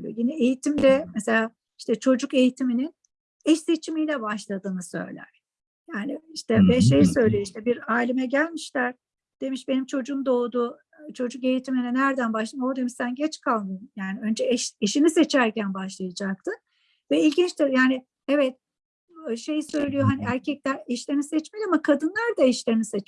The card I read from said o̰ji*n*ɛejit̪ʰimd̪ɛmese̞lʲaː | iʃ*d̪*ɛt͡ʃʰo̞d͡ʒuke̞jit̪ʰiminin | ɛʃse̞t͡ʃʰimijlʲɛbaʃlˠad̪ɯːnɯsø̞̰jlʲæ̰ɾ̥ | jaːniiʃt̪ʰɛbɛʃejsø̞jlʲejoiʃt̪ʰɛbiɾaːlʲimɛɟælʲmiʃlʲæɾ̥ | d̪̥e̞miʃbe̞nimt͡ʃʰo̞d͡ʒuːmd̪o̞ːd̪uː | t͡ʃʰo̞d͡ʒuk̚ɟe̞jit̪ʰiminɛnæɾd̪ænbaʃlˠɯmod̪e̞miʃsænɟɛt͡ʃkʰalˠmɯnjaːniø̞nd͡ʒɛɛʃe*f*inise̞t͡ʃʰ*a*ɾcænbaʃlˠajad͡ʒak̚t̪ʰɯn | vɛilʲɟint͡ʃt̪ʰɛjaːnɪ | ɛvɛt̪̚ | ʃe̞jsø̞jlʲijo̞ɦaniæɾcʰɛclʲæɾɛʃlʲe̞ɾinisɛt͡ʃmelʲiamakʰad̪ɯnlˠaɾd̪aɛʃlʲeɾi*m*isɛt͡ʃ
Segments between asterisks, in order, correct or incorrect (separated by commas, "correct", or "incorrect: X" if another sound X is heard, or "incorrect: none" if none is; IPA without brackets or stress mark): correct, incorrect: t̪, incorrect: ʃ, incorrect: æ, incorrect: n